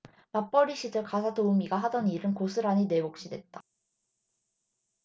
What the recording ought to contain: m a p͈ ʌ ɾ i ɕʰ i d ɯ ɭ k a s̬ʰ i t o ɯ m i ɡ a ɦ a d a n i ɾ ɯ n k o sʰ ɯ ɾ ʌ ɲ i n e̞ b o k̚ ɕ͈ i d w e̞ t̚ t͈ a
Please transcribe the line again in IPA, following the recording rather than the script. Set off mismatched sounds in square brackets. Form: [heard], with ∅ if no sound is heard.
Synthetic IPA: m a p͈ ʌ ɾ i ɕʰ i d ɯ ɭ k a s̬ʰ [a] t o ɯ m i ɡ a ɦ a d [ʌ] n i ɾ ɯ n k o sʰ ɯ ɾ [a] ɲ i n e̞ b o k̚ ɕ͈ i d w e̞ t̚ t͈ a